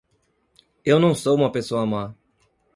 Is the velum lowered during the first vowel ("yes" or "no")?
no